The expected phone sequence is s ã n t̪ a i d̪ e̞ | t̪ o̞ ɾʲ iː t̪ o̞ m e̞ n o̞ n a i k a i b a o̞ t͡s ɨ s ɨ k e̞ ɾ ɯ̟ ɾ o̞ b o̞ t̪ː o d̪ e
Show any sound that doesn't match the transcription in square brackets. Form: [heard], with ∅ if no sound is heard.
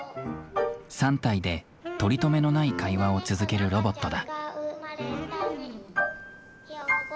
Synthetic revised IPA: s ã n t̪ a i d̪ e̞ | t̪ o̞ ɾʲ [i] t̪ o̞ m e̞ n o̞ n a i k a i [β] a o̞ t͡s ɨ [z] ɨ k e̞ ɾ ɯ̟ ɾ o̞ b o̞ t̪ː o d̪ [a]

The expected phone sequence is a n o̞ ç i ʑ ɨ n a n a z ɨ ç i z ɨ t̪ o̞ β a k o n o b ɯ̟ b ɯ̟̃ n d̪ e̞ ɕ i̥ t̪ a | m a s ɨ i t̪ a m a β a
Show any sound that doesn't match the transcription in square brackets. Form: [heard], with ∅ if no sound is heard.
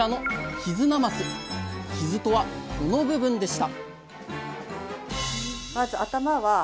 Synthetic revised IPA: a n o̞ ç i [z] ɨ n a [m] a [s] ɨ ç i z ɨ t̪ o̞ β a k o n o b ɯ̟ b ɯ̟̃ n d̪ e̞ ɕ i̥ t̪ a | m a [z] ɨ [a] t̪ a m a β a

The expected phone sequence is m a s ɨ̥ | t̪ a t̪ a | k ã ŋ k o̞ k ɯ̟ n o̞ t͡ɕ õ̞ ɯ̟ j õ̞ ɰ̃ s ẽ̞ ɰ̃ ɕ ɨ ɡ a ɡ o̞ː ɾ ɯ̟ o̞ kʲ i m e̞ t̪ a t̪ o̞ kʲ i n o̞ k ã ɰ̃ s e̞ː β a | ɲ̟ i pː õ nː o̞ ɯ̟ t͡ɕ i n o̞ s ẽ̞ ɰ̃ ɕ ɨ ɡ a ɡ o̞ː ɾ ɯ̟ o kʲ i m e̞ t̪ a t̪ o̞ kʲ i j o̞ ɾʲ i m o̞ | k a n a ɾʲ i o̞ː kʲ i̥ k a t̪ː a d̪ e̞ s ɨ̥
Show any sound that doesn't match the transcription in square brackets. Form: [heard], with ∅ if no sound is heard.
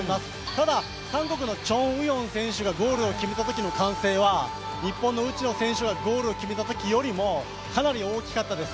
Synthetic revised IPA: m a s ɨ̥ | t̪ a [d̪] a | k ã ŋ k o̞ k ɯ̟ n o̞ t͡ɕ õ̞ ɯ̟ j õ̞ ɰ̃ s ẽ̞ ɰ̃ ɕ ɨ ɡ a ɡ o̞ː ɾ ɯ̟ o̞ kʲ i m e̞ t̪ a t̪ o̞ kʲ i n o̞ k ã ɰ̃ s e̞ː β a | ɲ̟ i pː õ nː o̞ ɯ̟ t͡ɕ i n o̞ s ẽ̞ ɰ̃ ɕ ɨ ɡ a ɡ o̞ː ɾ ɯ̟ o kʲ i m e̞ t̪ a t̪ o̞ kʲ i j o̞ ɾʲ i m o̞ | k a n a ɾʲ i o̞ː kʲ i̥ k a t̪ː a d̪ e̞ s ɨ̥

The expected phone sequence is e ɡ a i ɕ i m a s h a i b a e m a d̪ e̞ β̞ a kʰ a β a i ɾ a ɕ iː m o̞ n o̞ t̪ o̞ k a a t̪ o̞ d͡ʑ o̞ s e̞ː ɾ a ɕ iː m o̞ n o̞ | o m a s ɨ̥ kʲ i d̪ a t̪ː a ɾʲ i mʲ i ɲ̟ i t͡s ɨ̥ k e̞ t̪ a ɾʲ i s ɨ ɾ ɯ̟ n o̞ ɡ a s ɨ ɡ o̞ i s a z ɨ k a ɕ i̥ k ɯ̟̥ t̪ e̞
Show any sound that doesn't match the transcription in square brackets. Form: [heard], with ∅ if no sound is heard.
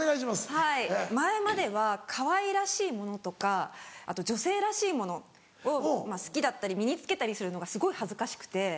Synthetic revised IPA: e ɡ a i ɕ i m a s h a i [m] a e m a d̪ e̞ β̞ a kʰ a β a i ɾ a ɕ iː m o̞ n o̞ t̪ o̞ k a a t̪ o̞ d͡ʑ o̞ s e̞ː ɾ a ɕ iː m o̞ n o̞ | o m a s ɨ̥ kʲ i d̪ a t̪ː a ɾʲ i mʲ i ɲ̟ i t͡s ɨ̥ k e̞ t̪ a ɾʲ i s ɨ ɾ ɯ̟ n o̞ ɡ a s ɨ ɡ o̞ i [h] a z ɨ k a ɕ i̥ k ɯ̟̥ t̪ e̞

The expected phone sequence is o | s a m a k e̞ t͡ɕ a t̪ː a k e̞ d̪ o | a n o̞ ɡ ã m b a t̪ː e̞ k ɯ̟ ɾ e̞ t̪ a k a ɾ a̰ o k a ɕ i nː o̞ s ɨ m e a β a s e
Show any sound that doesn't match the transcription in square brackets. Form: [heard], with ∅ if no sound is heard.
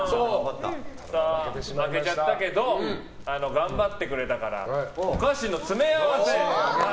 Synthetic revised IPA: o | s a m a k e̞ t͡ɕ a t̪ː a k e̞ d̪ o | a n o̞ ɡ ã m b a t̪ː e̞ k ɯ̟ ɾ e̞ t̪ a k a ɾ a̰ o k a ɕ i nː o̞ [t͡s] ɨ m e a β a s e

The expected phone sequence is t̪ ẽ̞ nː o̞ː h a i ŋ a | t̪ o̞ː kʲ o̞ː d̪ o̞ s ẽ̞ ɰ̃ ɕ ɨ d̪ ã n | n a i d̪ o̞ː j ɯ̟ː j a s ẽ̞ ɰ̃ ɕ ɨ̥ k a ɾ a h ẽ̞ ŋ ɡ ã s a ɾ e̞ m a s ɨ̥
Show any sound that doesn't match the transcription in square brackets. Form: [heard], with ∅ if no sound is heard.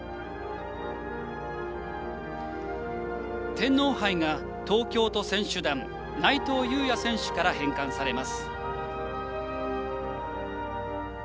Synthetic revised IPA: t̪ ẽ̞ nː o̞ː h a i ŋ a | t̪ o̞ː kʲ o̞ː [t̪] o̞ s ẽ̞ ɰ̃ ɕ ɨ d̪ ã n | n a i [t̪] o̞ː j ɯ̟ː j a s ẽ̞ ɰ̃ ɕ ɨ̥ k a ɾ a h ẽ̞ ŋ [k] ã s a ɾ e̞ m a s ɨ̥

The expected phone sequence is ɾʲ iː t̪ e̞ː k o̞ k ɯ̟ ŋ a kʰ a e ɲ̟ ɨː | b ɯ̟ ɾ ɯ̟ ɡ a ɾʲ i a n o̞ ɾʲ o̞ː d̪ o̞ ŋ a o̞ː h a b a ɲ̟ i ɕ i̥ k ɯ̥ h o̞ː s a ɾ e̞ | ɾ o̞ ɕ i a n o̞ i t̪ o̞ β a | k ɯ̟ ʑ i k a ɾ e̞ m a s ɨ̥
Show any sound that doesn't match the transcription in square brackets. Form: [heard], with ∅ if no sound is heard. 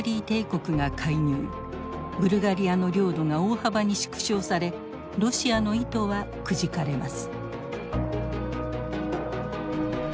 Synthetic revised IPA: ɾʲ iː t̪ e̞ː k o̞ k ɯ̟ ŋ a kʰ a [i] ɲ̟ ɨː | b ɯ̟ ɾ ɯ̟ ɡ a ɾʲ i a n o̞ ɾʲ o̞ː d̪ o̞ ŋ a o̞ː h a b a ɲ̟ i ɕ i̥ k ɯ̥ [ɕ] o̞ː s a ɾ e̞ | ɾ o̞ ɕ i a n o̞ i t̪ o̞ β a | k ɯ̟ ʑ i k a ɾ e̞ m a s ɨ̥

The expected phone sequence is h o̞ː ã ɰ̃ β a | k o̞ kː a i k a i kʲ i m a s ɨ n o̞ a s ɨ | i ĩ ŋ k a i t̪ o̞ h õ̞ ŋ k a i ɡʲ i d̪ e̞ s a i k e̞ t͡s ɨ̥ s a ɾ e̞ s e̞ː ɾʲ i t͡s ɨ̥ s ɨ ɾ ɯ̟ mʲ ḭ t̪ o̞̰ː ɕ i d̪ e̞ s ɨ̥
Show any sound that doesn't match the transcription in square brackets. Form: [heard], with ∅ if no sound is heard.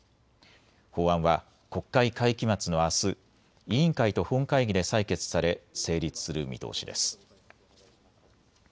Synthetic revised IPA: h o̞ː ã ɰ̃ β a | k o̞ kː a i k a i kʲ i m a [t͡s] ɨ n o̞ a s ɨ | i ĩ ŋ k a i t̪ o̞ h õ̞ ŋ k a i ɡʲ i d̪ e̞ s a i k e̞ t͡s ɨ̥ s a ɾ e̞ s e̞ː ɾʲ i t͡s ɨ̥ s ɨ ɾ ɯ̟ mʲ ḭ t̪ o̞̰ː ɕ i d̪ e̞ s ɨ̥

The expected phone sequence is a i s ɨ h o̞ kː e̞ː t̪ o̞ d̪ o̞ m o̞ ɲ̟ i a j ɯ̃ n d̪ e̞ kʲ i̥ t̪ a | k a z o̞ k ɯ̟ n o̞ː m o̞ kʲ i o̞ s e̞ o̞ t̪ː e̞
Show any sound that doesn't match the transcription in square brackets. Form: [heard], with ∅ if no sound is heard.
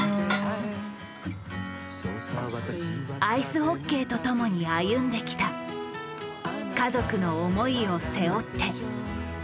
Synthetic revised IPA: a i s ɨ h o̞ kː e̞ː t̪ o̞ [t̪] o̞ m o̞ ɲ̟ i a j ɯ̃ n d̪ e̞ kʲ i̥ t̪ a | k a z o̞ k ɯ̟ n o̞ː m o̞ [∅] i o̞ s e̞ o̞ t̪ː e̞

